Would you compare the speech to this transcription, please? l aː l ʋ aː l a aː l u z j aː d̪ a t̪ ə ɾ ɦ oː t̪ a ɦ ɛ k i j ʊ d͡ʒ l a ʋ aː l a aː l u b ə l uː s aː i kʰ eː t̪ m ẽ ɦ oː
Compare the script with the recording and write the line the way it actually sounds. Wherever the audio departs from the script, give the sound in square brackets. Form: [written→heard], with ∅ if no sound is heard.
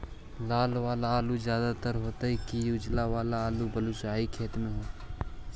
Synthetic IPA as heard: l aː l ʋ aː l a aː l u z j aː d̪ a t̪ ə ɾ ɦ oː t̪ a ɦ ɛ k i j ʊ d͡ʒ l a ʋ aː l a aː l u b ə l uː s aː i kʰ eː t̪ m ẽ ɦ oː